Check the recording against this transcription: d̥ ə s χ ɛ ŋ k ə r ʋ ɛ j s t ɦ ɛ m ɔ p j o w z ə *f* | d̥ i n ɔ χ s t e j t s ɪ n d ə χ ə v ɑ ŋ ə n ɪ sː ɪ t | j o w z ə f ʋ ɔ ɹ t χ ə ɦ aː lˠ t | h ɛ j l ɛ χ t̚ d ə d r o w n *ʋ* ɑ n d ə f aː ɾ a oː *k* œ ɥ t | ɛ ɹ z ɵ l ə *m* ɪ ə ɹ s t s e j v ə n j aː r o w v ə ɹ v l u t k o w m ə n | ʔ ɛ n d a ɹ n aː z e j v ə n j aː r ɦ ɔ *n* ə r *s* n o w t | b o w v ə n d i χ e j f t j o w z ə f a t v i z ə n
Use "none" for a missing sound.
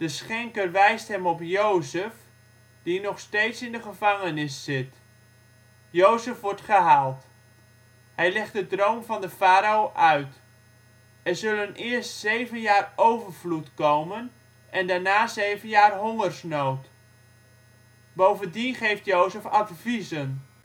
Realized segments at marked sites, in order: f, v, ʔ, n, ŋ, s

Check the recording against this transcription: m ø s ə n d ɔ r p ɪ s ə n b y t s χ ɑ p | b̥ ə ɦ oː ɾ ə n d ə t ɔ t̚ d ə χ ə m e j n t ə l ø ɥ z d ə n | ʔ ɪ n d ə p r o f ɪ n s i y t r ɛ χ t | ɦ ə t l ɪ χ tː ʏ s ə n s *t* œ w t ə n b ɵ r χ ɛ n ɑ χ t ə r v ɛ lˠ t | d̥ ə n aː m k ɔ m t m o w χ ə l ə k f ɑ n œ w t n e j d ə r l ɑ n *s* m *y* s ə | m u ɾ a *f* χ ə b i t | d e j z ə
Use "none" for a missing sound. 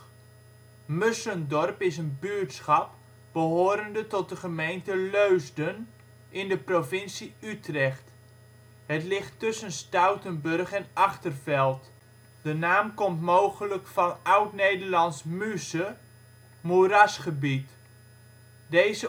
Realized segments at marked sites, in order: t, s, y, s

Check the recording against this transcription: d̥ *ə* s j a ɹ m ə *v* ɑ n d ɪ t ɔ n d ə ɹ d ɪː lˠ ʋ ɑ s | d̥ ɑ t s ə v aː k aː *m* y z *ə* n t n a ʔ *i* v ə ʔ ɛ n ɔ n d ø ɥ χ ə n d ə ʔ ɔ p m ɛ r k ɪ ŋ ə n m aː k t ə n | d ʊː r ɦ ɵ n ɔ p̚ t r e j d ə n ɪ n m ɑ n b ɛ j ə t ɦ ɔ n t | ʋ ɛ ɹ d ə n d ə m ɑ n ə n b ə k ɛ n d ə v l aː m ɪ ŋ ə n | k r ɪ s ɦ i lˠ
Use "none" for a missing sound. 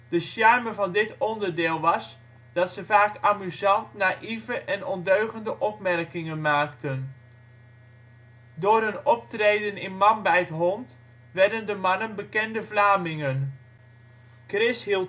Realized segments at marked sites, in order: ə, v, m, ɑ, i

